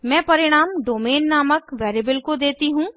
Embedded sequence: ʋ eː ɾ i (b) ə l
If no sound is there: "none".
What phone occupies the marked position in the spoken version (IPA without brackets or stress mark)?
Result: b